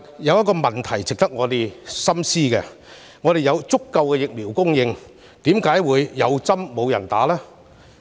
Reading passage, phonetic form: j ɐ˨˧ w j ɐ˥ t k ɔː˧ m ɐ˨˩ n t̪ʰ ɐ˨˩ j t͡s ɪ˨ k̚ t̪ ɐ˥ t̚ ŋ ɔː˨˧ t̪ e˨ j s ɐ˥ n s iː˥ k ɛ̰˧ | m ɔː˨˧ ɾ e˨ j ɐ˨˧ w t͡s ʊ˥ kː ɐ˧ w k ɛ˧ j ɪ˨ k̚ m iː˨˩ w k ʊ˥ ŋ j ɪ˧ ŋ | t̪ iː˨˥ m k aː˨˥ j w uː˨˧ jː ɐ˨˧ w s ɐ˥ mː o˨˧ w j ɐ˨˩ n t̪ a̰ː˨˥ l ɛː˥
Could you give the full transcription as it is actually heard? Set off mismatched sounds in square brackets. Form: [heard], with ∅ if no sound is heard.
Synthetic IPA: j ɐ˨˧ w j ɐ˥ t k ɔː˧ m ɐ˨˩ n t̪ʰ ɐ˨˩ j t͡s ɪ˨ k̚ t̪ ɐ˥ [k̚] ŋ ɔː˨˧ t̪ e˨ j s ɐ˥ [m] s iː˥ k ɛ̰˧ | [ŋ] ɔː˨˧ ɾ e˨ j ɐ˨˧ w t͡s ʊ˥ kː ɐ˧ w k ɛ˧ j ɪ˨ k̚ m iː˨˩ w k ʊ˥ ŋ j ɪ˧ ŋ | t̪ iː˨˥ m k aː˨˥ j w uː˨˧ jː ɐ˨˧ w [t͡s] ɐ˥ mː o˨˧ w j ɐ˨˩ n t̪ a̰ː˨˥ l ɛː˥